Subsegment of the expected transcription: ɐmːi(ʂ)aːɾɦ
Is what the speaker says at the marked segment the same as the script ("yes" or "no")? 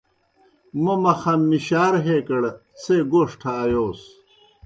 no